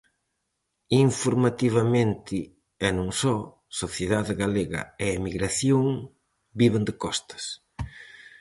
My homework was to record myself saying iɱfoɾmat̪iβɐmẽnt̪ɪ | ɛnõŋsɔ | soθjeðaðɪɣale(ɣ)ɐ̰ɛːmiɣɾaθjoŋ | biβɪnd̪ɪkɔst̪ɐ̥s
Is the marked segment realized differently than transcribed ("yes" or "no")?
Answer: no